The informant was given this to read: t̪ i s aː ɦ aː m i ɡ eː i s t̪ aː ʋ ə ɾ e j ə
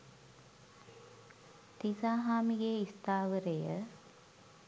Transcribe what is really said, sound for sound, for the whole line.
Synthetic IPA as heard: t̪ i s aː ɦ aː m i ɡ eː i s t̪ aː ʋ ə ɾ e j ə